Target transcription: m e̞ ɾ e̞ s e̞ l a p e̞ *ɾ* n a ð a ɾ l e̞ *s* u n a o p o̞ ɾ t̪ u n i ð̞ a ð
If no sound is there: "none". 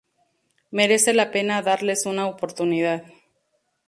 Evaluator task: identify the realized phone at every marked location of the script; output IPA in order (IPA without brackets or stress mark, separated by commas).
none, s